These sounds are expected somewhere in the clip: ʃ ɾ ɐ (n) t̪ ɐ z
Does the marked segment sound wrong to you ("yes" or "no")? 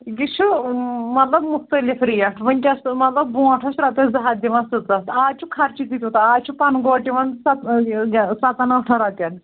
yes